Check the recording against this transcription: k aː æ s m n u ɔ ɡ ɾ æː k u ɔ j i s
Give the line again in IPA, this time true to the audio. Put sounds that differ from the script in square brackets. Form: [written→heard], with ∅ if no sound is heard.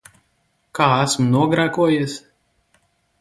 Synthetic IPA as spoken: k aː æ s m n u ɔ ɡ ɾ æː k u ɔ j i s

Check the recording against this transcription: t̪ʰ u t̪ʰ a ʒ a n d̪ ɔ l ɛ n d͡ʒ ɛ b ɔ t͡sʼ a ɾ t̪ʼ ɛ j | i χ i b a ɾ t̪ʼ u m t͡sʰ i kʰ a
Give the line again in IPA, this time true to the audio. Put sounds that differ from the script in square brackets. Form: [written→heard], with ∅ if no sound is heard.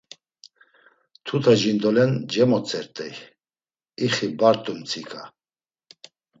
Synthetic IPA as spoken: t̪ʰ u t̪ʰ a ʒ [a→i] n d̪ ɔ l ɛ n d͡ʒ ɛ [b→m] ɔ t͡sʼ [a→ɛ] ɾ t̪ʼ ɛ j | i χ i b a ɾ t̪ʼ u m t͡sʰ i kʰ a

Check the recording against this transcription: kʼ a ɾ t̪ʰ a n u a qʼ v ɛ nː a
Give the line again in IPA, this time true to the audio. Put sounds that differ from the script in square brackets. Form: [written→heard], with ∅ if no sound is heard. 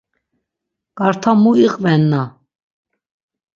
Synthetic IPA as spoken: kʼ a ɾ t̪ʰ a [n→m] u [a→i] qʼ v ɛ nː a

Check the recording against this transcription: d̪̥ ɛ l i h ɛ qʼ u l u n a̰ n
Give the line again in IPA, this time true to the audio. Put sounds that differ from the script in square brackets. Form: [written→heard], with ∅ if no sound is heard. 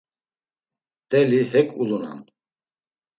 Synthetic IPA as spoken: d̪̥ ɛ l i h ɛ [qʼ→kʼ] u l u n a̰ n

